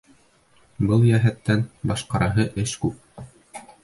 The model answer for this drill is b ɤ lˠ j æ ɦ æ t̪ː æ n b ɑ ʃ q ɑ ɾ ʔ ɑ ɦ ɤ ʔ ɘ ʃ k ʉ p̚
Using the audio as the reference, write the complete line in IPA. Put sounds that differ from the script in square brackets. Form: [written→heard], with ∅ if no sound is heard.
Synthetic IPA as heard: b ɤ lˠ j æ ɦ æ t̪ː æ n b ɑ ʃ q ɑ ɾ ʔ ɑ ɦ ɤ ʔ ɘ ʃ k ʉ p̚

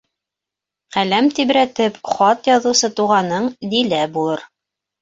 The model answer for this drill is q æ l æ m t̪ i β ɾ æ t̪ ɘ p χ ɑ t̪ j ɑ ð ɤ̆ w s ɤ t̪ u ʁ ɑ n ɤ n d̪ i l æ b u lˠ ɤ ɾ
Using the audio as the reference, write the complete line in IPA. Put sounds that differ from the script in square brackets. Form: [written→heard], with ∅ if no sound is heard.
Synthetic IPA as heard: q æ l æ m t̪ i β ɾ æ t̪ ɘ p χ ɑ t̪ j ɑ ð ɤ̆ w s ɤ t̪ u ʁ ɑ n ɤ [n→ɴ] d̪ i l æ b u lˠ ɤ ɾ

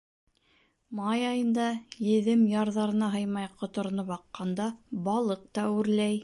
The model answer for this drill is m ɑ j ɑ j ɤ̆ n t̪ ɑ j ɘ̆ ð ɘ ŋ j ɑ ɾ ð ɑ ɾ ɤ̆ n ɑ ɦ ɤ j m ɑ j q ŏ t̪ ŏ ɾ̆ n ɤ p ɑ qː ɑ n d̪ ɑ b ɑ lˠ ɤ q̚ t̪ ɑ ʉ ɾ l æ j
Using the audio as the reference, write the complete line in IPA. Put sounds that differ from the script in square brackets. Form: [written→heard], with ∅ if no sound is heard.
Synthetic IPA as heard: m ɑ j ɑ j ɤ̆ n [t̪→d̪] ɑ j ɘ̆ ð ɘ [ŋ→m] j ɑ ɾ ð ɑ ɾ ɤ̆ n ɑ ɦ ɤ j m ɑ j q ŏ t̪ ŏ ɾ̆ n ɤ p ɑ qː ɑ n d̪ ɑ b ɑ lˠ ɤ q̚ t̪ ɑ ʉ ɾ l æ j

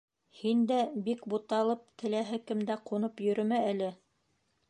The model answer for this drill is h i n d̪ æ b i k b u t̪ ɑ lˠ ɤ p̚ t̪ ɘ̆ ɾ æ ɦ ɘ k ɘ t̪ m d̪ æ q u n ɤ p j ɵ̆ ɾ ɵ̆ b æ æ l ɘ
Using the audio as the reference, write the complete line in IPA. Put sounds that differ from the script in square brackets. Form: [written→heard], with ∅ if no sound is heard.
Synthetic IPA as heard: h i n d̪ æ b i k b u t̪ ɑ lˠ ɤ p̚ t̪ ɘ̆ [ɾ→l] æ ɦ ɘ k ɘ [t̪→∅] m d̪ æ q u n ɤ p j ɵ̆ ɾ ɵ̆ [b→m] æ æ l ɘ

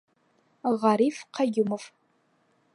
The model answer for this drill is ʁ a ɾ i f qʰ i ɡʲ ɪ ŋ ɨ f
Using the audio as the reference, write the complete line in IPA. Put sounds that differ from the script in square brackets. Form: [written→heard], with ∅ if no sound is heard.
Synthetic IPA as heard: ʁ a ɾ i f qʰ [i→a] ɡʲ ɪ [ŋ→m] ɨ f

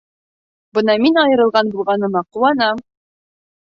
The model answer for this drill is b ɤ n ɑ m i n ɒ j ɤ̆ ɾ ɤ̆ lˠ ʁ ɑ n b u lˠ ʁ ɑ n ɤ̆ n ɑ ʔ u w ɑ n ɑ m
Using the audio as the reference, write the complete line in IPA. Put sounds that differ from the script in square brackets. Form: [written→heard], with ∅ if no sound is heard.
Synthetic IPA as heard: b ɤ n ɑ m i n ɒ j ɤ̆ ɾ ɤ̆ lˠ ʁ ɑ n b u lˠ ʁ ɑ n ɤ̆ [n→m] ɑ [ʔ→q] u w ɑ n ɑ m

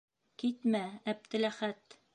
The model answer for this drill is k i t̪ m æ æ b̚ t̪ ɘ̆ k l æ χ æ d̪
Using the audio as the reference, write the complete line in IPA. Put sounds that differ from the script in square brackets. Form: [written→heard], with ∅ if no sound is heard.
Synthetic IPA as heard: k i t̪ m æ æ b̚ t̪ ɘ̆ [k→∅] l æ χ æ [d̪→t̪]

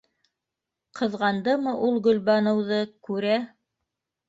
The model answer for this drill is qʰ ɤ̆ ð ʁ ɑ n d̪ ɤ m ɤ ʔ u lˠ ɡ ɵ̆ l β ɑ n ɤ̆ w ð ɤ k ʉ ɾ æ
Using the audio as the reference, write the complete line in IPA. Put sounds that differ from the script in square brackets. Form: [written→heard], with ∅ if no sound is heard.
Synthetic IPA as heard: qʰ ɤ̆ ð ʁ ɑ n d̪ ɤ m ɤ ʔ u lˠ ɡ ɵ̆ l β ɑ n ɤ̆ w ð ɤ k ʉ ɾ æ

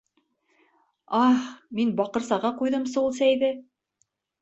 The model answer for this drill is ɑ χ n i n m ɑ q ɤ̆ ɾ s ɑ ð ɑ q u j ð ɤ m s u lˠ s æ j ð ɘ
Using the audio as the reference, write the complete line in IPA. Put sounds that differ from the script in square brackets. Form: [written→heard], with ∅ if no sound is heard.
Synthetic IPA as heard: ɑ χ [n→m] i n [m→b] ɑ q ɤ̆ ɾ s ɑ [ð→ʁ] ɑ q u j ð ɤ m s u lˠ s æ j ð ɘ

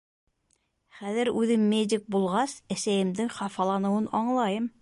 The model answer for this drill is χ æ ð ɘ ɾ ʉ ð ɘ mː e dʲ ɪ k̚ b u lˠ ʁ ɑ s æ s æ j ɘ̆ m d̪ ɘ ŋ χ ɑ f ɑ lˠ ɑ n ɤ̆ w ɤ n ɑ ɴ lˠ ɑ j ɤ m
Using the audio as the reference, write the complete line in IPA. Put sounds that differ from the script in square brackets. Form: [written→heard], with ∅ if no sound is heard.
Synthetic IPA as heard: χ æ ð ɘ ɾ ʉ ð ɘ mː e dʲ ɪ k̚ b u lˠ ʁ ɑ s æ s æ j ɘ̆ m d̪ ɘ ŋ χ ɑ f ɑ lˠ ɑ n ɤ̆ w ɤ n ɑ ɴ lˠ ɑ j ɤ m

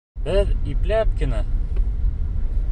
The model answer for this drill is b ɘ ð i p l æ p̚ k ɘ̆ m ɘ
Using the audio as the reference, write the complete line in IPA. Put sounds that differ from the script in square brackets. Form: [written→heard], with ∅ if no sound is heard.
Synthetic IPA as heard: b ɘ ð i p l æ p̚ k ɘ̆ [m→n] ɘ

